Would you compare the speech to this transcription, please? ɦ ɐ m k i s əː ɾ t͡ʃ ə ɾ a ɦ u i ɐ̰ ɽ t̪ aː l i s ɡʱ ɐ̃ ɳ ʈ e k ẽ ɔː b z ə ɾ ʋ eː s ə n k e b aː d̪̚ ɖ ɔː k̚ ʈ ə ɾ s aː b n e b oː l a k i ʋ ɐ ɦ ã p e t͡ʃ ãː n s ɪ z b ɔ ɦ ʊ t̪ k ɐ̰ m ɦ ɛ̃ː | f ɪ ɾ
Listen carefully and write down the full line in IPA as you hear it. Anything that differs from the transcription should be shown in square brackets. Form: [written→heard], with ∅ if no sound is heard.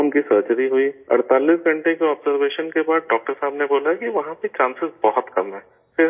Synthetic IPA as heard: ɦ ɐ m k i s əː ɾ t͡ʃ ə ɾ [a→i] ɦ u i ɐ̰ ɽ t̪ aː l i s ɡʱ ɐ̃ ɳ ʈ e k [ẽ→e] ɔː b z ə ɾ ʋ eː [s→ʃ] ə n k e b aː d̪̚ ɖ ɔː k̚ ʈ ə ɾ s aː b n e b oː l a k i ʋ ɐ ɦ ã p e t͡ʃ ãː n s ɪ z b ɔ ɦ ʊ t̪ k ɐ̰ m ɦ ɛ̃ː | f ɪ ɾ